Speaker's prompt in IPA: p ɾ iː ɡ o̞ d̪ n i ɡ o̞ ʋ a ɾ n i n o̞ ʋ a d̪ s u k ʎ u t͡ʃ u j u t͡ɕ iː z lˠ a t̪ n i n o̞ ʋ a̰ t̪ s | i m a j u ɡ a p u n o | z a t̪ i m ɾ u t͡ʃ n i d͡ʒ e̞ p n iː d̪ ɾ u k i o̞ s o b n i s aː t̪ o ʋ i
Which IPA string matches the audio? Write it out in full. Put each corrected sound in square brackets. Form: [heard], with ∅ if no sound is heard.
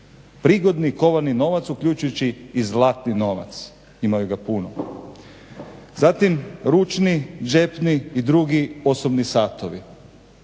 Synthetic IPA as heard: p ɾ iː ɡ o̞ d̪ n i [k] o̞ ʋ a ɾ n i n o̞ ʋ a [t̪] s u k ʎ u t͡ʃ u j u t͡ɕ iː z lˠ a t̪ n i n o̞ ʋ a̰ t̪ s | i m a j u ɡ a p u n o | z a t̪ i m ɾ u t͡ʃ n i d͡ʒ e̞ p n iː d̪ ɾ u [ɡ] i o̞ s o b n i s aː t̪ o ʋ i